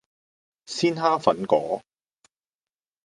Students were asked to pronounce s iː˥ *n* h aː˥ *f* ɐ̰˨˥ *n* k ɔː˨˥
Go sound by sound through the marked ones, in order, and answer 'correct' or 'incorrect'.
correct, correct, correct

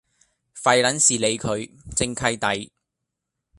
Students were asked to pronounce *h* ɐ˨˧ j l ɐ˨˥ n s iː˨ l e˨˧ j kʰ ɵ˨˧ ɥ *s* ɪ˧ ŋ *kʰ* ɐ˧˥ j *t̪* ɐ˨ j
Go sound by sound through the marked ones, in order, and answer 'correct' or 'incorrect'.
incorrect, incorrect, correct, correct

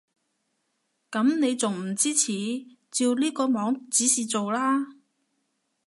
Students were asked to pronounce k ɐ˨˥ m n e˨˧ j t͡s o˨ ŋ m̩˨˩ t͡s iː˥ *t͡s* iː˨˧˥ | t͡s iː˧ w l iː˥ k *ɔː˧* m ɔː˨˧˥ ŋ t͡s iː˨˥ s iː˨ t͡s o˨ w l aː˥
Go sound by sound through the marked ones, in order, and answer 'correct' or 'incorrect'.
incorrect, correct

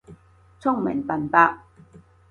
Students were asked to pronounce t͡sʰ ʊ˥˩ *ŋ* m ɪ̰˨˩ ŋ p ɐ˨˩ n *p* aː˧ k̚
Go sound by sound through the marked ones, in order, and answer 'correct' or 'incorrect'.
correct, correct

